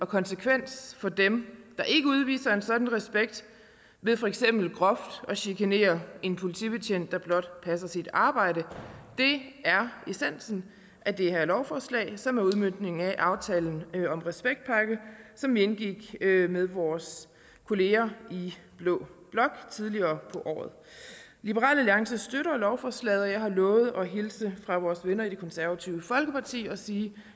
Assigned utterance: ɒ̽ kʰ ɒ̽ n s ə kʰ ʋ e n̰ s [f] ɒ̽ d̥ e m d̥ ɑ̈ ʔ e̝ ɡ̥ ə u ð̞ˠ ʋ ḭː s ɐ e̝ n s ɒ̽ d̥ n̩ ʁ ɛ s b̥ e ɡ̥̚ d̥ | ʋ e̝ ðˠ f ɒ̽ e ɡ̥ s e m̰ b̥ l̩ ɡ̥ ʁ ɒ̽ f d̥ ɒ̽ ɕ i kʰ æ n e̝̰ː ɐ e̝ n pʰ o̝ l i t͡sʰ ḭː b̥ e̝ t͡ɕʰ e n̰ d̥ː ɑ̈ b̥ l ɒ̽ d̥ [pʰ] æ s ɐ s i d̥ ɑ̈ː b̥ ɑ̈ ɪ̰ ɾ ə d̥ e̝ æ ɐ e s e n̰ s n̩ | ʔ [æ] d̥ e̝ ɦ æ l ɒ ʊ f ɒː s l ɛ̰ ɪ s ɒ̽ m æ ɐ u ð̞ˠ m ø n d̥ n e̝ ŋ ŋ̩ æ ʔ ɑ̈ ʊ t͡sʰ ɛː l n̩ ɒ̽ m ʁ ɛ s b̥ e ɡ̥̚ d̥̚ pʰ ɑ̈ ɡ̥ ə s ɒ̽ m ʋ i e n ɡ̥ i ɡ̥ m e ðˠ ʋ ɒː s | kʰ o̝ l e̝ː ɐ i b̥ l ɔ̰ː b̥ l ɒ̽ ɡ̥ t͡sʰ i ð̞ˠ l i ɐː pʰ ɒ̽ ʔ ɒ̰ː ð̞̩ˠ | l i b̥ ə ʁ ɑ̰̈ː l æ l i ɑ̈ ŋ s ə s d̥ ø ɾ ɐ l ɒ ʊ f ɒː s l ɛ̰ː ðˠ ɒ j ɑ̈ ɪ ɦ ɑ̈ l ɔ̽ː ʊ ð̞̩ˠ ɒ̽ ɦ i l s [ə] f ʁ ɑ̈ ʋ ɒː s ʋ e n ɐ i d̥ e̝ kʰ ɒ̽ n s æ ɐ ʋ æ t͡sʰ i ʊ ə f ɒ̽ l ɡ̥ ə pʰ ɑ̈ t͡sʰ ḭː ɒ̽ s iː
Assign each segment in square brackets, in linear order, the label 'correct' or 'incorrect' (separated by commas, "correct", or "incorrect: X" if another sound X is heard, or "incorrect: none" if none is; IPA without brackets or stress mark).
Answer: correct, correct, correct, correct